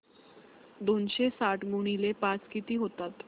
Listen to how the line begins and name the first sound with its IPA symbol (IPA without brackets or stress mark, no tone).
d̪